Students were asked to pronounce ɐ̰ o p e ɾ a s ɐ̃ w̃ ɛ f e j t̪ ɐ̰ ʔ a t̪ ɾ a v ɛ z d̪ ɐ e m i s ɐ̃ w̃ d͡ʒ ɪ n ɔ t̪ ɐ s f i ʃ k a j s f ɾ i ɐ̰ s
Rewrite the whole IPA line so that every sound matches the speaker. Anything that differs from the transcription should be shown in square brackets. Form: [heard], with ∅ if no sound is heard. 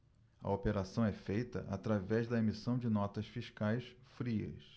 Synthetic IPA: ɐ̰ o p e ɾ a s ɐ̃ w̃ ɛ f e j t̪ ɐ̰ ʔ a t̪ ɾ a v ɛ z d̪ ɐ e m i s ɐ̃ w̃ d͡ʒ ɪ n ɔ t̪ ɐ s f i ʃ k a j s f ɾ i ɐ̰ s

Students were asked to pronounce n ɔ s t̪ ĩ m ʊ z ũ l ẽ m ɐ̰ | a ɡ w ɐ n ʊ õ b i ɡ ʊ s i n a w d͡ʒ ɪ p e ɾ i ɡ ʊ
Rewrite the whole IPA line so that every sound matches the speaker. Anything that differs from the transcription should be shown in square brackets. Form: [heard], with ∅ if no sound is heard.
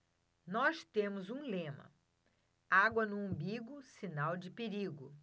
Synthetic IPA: n ɔ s t̪ [ẽ] m ʊ z ũ l ẽ m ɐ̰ | a ɡ w ɐ n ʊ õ b i ɡ ʊ s i n a w d͡ʒ ɪ p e ɾ i ɡ ʊ

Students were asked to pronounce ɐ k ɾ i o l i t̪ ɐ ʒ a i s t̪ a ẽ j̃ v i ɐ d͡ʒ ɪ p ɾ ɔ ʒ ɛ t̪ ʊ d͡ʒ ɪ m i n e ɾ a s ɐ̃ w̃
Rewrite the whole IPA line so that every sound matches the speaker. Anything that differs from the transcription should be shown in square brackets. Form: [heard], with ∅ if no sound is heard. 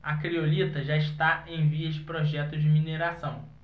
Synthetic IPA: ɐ k ɾ i o l i t̪ ɐ ʒ a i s t̪ a ẽ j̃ v i ɐ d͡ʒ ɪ p ɾ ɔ ʒ ɛ t̪ ʊ d͡ʒ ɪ m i n e ɾ a s ɐ̃ w̃

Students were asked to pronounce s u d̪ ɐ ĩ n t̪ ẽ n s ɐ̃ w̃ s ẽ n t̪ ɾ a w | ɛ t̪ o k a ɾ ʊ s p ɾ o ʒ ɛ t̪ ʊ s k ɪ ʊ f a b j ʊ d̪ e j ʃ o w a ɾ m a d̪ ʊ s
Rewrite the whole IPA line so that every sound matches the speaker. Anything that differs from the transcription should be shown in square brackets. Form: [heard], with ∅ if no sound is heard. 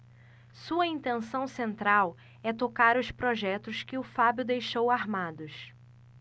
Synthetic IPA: s u [∅] ɐ ĩ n t̪ ẽ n s ɐ̃ w̃ s ẽ n t̪ ɾ a w | ɛ t̪ o k a ɾ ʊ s p ɾ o ʒ ɛ t̪ ʊ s k ɪ ʊ f a b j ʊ d̪ e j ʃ o w a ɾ m a d̪ ʊ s

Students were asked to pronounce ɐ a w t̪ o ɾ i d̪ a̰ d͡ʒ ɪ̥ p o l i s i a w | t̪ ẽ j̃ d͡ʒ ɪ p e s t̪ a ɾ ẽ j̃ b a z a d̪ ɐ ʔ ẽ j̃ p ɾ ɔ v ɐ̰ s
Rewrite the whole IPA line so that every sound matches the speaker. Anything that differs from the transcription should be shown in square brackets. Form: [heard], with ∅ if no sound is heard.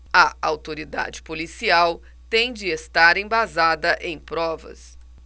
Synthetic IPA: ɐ a w t̪ o ɾ i d̪ a̰ d͡ʒ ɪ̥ p o l i s i a w | t̪ ẽ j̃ d͡ʒ ɪ [∅] e s t̪ a ɾ ẽ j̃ b a z a d̪ ɐ ʔ ẽ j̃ p ɾ ɔ v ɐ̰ s

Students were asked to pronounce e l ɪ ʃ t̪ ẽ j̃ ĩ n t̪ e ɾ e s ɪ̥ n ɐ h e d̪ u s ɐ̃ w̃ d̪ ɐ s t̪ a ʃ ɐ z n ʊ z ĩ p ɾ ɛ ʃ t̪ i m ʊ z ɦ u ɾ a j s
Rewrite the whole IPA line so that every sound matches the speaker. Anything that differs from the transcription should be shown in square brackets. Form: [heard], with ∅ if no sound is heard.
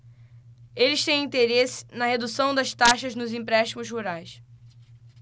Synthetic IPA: e l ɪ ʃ t̪ ẽ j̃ ĩ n t̪ e ɾ e s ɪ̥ n ɐ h e d̪ u s ɐ̃ w̃ d̪ ɐ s t̪ a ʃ ɐ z n ʊ z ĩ p ɾ ɛ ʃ t̪ i m ʊ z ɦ u ɾ a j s

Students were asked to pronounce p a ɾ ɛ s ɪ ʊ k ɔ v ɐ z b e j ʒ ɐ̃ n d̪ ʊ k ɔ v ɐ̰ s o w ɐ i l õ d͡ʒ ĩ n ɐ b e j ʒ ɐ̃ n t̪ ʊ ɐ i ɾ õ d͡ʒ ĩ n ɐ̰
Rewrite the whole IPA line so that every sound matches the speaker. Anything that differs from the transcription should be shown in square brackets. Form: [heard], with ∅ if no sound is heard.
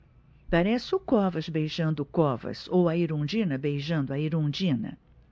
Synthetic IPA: p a ɾ ɛ s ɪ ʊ k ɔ v ɐ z b e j ʒ ɐ̃ n d̪ ʊ k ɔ v ɐ̰ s o w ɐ i [ɾ] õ d͡ʒ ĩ n ɐ b e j ʒ ɐ̃ n [d̪] ʊ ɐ i ɾ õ d͡ʒ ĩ n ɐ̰

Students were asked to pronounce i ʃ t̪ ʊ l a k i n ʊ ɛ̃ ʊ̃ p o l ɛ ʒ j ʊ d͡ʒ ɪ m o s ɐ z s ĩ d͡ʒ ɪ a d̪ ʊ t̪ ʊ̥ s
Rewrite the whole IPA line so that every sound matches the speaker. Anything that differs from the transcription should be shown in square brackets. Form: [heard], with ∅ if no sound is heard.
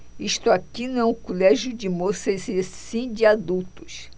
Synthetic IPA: i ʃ t̪ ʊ [∅] a k i n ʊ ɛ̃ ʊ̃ [k] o l ɛ ʒ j ʊ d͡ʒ ɪ m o s ɐ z s ĩ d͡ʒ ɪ a d̪ [u] t̪ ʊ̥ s

